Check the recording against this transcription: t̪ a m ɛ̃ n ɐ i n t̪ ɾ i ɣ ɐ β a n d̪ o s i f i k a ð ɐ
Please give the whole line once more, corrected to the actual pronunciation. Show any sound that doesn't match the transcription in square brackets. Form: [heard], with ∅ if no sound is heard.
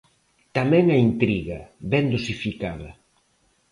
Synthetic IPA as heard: t̪ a m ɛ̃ [ŋ] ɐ i n t̪ ɾ i ɣ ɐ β [ɛ] n d̪ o s i f i k a ð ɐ